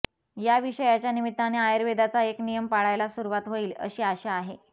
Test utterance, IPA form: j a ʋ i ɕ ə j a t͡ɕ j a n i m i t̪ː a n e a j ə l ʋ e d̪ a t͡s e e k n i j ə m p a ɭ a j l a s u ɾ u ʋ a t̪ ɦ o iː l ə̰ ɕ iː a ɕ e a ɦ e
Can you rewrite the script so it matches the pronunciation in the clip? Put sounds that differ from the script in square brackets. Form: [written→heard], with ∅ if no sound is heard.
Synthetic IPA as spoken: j a ʋ i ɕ ə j a t͡ɕ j a n i m i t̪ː a n e a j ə [l→ɾ] ʋ e d̪ a t͡s [e→a] e k n i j ə m p a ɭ a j l a s u ɾ u ʋ a t̪ ɦ o iː l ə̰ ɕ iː a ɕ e a ɦ e